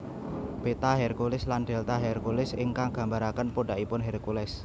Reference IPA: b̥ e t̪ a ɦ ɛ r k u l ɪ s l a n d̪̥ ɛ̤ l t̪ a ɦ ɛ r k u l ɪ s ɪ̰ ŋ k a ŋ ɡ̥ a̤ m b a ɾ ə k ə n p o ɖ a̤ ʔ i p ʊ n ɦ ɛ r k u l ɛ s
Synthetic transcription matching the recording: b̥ e t̪ a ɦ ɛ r k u l ɪ s l a n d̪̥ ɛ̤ l t̪ a ɦ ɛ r k u l ɪ s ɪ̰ ŋ k a ŋ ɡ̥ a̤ m b a ɾ a k ə n p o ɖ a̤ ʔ i p ʊ n ɦ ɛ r k u l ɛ s